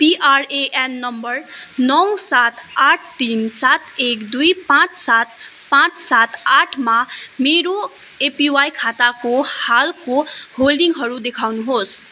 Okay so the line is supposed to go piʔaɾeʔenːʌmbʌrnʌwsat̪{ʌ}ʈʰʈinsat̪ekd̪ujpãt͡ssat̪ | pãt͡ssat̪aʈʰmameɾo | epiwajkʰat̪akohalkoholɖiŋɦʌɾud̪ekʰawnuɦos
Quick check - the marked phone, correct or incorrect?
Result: incorrect